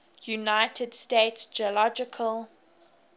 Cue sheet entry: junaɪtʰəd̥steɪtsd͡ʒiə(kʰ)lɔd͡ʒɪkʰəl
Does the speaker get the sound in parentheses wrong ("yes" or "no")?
yes